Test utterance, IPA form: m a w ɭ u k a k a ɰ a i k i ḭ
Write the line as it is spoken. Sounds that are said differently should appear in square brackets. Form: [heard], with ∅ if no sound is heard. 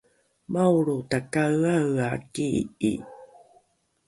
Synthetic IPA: m a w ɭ u [t] a k a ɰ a [a] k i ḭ